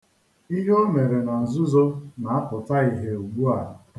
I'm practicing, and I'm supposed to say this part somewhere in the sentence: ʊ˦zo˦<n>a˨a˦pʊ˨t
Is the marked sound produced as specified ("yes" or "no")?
yes